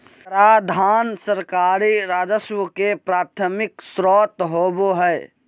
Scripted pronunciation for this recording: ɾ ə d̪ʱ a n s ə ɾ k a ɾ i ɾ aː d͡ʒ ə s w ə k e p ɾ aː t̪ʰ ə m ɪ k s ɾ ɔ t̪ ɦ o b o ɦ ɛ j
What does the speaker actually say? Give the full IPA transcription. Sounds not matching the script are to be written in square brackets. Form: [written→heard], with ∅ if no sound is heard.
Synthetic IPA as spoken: ɾ [ə→a] d̪ʱ a n s ə ɾ k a ɾ i ɾ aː d͡ʒ ə s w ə k e p ɾ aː t̪ʰ ə m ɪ k s ɾ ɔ t̪ ɦ o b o ɦ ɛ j